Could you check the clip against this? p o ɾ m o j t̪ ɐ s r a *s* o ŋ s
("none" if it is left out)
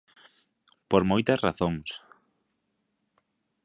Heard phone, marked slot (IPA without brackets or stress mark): θ